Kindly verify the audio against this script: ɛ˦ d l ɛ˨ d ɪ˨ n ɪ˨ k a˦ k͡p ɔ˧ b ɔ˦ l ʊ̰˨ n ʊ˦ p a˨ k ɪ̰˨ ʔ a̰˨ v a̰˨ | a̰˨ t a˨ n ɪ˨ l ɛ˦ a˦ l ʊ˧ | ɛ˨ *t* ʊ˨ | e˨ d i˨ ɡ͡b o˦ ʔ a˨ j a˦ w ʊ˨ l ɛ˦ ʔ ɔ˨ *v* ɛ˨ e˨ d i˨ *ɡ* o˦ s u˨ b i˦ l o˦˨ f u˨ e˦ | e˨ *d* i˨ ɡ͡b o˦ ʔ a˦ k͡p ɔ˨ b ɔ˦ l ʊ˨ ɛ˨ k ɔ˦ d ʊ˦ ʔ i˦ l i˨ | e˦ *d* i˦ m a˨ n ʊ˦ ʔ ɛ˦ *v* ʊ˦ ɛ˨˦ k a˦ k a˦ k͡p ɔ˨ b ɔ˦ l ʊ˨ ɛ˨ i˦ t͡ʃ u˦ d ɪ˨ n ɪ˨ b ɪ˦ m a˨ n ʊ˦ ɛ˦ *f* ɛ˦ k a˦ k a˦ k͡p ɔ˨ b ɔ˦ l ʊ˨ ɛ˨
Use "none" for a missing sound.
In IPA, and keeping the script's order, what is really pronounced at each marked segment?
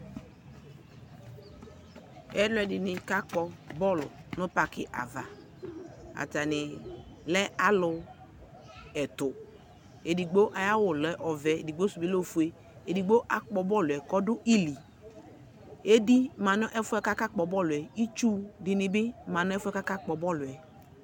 t, v, ɡ͡b, d, d, f, f

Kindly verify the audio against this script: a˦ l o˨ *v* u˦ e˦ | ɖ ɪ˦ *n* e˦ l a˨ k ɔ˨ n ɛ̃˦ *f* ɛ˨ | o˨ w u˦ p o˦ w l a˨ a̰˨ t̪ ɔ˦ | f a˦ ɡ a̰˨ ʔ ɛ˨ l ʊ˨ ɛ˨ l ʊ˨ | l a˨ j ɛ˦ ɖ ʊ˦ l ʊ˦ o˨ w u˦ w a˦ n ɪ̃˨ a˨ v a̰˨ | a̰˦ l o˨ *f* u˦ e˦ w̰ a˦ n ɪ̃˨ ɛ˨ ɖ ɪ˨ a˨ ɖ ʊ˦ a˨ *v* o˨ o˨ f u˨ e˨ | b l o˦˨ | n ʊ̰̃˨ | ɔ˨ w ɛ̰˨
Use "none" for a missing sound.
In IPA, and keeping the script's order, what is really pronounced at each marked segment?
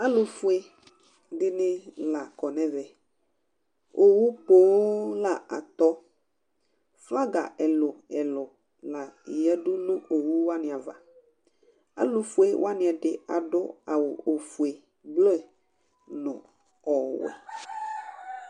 f, n, v, f, w

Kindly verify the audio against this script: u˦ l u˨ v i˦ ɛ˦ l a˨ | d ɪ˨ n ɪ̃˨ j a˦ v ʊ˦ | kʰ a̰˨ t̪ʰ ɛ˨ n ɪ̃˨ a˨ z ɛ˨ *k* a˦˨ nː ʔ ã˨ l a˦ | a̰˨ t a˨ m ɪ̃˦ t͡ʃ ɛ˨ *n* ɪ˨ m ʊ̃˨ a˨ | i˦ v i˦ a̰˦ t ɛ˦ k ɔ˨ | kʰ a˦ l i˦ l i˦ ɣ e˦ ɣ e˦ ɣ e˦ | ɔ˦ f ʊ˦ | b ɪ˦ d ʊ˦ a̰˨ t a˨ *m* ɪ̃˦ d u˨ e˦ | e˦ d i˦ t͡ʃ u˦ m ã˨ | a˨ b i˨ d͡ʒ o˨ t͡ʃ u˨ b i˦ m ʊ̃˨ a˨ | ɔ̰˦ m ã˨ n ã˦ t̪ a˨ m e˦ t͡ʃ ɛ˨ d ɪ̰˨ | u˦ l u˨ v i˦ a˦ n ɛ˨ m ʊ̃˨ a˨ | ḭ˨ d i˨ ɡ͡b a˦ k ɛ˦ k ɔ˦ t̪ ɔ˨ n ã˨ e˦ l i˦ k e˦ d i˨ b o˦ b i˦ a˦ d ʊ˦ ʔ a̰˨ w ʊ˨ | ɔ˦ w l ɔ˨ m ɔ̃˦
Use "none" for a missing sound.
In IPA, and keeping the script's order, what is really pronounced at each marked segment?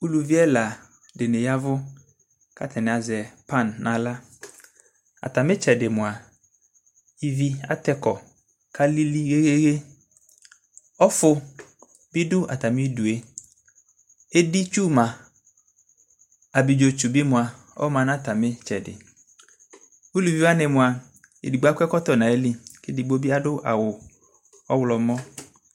p, d, m

